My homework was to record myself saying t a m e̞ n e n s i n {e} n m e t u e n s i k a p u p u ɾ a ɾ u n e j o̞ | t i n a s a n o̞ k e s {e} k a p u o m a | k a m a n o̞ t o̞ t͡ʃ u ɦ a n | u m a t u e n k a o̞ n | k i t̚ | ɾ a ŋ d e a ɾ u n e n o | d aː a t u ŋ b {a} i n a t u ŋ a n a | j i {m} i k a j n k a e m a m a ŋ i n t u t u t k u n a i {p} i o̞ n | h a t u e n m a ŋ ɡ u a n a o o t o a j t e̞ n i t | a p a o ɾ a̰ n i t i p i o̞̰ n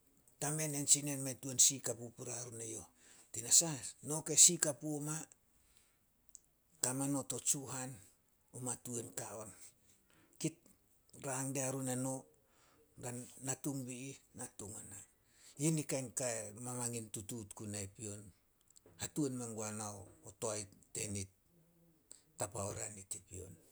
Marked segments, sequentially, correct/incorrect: correct, incorrect, incorrect, incorrect, correct

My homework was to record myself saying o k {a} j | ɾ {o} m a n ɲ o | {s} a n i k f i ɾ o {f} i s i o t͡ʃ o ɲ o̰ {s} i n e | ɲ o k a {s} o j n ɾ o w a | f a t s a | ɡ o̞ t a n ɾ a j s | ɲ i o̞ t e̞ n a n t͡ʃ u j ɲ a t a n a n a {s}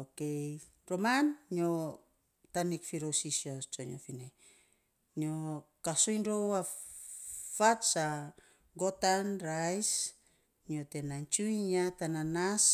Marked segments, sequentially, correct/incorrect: incorrect, correct, incorrect, incorrect, incorrect, correct, correct

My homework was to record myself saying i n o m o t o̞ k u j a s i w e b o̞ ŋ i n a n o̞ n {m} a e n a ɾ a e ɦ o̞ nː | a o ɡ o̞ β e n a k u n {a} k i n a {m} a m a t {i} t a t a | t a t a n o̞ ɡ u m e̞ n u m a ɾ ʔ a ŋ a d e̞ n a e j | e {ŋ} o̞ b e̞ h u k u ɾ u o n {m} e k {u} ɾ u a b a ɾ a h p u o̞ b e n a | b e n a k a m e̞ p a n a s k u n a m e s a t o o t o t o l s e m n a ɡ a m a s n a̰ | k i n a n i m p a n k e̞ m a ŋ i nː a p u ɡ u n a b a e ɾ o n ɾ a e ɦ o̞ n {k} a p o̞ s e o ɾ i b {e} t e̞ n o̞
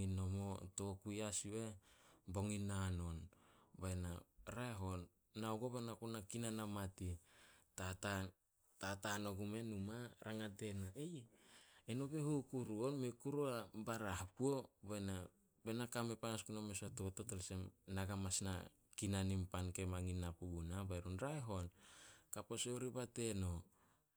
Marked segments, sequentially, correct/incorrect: incorrect, correct, incorrect, correct, incorrect, correct, correct, correct, incorrect

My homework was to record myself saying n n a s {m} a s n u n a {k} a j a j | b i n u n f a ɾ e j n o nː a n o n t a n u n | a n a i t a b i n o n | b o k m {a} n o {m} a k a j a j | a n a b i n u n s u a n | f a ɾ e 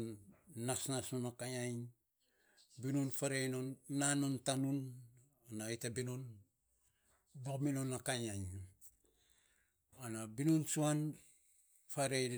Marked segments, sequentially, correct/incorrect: incorrect, correct, incorrect, incorrect

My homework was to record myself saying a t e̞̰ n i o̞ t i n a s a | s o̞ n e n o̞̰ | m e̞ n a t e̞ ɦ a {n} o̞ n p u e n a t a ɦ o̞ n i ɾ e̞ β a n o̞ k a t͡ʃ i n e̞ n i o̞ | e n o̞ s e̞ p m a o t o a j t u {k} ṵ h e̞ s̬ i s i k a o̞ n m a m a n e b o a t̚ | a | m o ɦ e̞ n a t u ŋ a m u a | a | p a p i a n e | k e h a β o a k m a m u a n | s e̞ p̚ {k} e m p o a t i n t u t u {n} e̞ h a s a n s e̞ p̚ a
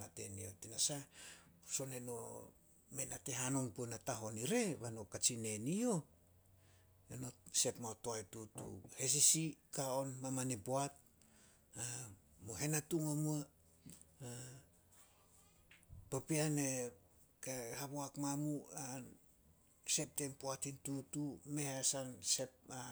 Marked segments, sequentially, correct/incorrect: correct, incorrect, incorrect, incorrect

